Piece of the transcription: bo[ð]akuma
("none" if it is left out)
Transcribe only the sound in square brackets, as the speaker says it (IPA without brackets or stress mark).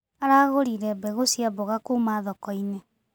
ɣ